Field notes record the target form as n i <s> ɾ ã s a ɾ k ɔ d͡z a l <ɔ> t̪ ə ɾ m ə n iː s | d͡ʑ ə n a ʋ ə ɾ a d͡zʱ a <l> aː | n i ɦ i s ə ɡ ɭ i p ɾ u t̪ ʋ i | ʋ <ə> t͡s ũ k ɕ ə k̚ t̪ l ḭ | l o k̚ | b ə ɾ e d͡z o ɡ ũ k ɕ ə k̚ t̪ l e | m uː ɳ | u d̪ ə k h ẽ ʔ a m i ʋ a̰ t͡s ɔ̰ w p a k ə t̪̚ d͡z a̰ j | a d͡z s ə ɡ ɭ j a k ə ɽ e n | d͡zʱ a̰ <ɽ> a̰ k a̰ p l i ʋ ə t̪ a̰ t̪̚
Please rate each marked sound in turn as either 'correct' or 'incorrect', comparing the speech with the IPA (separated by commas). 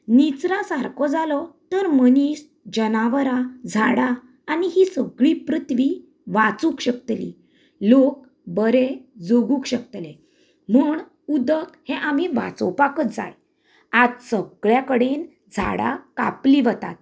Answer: incorrect, correct, incorrect, incorrect, correct